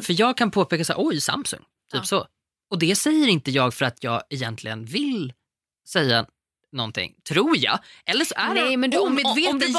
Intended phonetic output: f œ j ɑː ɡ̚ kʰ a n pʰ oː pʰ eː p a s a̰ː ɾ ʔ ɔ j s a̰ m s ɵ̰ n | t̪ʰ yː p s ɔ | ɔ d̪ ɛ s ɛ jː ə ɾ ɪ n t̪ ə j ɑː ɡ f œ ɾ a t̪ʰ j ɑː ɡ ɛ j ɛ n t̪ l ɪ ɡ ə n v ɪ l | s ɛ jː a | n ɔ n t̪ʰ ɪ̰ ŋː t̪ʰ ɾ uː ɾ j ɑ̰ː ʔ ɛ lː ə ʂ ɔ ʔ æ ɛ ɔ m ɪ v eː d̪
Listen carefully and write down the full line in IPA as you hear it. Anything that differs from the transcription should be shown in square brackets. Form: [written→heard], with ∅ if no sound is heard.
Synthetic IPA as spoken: f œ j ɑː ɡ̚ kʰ a n pʰ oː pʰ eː [p→k] a s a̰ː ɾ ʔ ɔ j s a̰ m s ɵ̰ [n→ŋ] | t̪ʰ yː p s ɔ | ɔ d̪ ɛ s ɛ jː ə ɾ ɪ n t̪ ə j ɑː ɡ f œ ɾ a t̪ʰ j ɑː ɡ ɛ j ɛ n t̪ l ɪ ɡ ə n v ɪ l | s ɛ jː a | n ɔ n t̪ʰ ɪ̰ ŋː t̪ʰ ɾ uː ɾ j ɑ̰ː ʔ ɛ lː ə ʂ ɔ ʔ æ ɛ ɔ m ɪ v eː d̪